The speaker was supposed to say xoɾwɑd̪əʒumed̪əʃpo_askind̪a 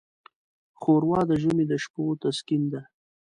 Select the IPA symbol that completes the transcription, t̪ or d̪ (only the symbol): t̪